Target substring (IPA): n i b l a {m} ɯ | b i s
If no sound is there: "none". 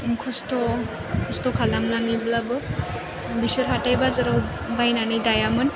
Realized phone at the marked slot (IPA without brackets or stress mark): b